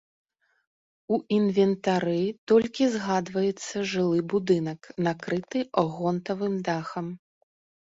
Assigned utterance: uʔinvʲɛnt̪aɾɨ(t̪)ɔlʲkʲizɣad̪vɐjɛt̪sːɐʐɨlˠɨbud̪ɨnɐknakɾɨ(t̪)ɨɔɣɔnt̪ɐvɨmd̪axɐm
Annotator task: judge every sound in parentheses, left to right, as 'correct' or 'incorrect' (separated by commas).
correct, correct